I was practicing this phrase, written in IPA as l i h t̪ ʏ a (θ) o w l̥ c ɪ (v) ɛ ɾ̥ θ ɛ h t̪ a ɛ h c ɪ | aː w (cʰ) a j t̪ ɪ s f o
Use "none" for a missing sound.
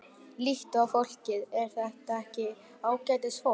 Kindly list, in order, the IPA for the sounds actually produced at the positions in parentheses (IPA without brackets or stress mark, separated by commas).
f, ð, c